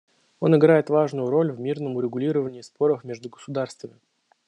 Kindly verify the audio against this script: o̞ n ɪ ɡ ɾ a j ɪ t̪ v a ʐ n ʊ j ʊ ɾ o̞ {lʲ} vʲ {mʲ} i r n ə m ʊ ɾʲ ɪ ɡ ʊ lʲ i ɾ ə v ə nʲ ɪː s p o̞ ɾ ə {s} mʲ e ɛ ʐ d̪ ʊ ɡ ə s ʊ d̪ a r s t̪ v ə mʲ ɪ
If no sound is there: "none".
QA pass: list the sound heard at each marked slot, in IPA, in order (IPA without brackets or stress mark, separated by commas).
lʲ, mʲ, f